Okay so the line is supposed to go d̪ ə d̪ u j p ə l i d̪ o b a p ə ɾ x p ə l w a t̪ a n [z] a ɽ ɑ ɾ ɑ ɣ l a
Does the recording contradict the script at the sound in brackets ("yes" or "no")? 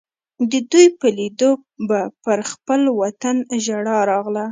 yes